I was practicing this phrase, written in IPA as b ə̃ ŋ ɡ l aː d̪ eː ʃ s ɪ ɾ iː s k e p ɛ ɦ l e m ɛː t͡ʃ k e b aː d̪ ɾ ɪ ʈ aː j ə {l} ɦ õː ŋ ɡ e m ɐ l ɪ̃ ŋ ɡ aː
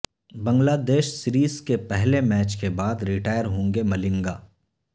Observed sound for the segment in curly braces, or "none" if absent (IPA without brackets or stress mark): ɾ